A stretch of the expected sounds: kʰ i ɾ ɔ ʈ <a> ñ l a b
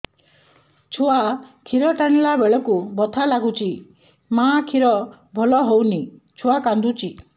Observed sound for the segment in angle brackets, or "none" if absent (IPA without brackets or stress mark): a